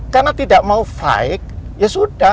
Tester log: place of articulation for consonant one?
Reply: velar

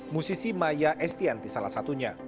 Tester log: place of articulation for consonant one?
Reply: labial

